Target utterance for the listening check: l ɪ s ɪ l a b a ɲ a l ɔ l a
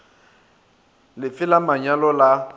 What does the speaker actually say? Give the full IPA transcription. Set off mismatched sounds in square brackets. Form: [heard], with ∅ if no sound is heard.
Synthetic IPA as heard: l ɪ [f] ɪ l a [m] a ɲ a l ɔ l a